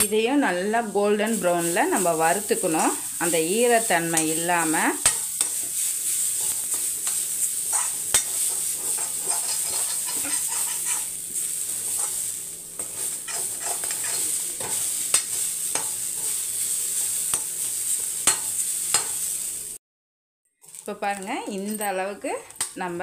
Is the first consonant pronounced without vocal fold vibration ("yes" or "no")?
no